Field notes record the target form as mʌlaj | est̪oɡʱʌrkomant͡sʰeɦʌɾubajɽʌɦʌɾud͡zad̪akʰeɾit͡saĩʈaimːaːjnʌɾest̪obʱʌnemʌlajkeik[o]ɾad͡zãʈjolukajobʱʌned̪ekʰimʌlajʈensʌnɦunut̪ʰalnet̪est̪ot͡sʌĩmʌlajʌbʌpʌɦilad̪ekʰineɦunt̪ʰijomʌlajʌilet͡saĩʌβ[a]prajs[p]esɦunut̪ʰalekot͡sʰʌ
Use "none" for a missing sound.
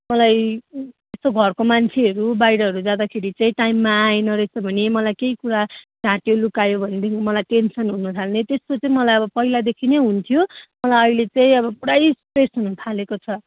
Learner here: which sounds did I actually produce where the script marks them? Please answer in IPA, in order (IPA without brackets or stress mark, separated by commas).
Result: u, ʌ, p